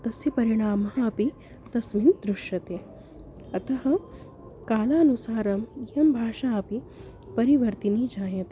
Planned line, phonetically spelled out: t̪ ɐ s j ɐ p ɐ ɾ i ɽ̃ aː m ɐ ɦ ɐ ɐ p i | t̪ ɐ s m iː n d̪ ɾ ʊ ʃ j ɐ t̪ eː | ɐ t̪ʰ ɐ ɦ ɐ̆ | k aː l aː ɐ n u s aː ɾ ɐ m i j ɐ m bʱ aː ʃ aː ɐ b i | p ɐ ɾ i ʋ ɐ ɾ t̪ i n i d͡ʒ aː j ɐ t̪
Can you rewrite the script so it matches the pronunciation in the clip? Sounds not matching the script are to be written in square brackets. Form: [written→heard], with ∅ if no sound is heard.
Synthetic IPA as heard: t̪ ɐ s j ɐ p ɐ ɾ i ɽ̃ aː m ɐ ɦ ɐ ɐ p i | t̪ ɐ s m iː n d̪ ɾ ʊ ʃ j ɐ t̪ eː | ɐ [t̪ʰ→t̪] ɐ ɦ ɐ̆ | k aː l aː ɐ n u s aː ɾ ɐ m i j ɐ m bʱ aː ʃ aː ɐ [b→p] i | p ɐ ɾ i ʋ ɐ ɾ t̪ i n i d͡ʒ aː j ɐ t̪